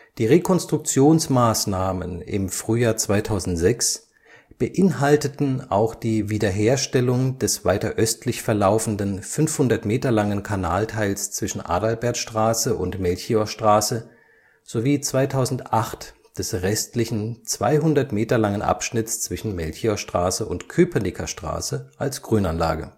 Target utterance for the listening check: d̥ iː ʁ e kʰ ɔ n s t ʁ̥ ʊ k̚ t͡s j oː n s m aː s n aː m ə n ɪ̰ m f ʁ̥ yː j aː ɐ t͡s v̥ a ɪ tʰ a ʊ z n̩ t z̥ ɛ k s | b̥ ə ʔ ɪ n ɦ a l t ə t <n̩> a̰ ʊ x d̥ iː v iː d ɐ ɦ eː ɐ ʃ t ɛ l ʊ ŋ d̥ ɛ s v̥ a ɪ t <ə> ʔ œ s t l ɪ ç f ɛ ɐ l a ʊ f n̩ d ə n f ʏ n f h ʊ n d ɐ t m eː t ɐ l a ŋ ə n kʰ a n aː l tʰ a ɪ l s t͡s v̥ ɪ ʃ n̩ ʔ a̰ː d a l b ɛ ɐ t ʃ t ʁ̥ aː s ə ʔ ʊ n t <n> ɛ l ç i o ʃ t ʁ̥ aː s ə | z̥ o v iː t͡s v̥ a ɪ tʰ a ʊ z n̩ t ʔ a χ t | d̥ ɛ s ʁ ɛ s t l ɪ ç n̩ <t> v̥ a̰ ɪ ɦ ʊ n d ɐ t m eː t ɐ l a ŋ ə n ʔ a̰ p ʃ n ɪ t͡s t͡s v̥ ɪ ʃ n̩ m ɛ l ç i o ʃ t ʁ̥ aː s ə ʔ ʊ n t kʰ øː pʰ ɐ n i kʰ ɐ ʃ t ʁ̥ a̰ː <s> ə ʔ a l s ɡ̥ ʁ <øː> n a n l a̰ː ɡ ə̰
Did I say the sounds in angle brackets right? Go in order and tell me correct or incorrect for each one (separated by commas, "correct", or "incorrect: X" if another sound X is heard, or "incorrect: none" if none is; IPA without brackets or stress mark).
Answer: correct, incorrect: ɐ, incorrect: m, incorrect: t͡s, correct, incorrect: yː